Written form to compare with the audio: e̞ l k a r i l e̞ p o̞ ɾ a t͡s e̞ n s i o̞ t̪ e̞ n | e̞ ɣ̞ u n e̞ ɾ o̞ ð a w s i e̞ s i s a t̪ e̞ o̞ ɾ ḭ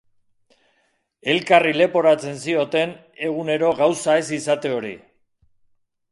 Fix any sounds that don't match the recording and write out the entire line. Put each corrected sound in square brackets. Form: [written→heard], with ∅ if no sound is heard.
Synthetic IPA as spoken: e̞ l k a r i l e̞ p o̞ ɾ a t͡s e̞ n s i o̞ t̪ e̞ n | e̞ ɣ̞ u n e̞ ɾ o̞ [ð→ɣ] a w s [i→a] e̞ s i s a t̪ e̞ o̞ ɾ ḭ